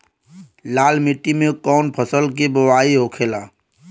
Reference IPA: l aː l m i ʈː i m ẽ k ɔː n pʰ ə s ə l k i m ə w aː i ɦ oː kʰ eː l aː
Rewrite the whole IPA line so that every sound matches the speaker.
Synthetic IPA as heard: l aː l m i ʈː i m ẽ k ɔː n pʰ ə s ə l k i b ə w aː i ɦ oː kʰ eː l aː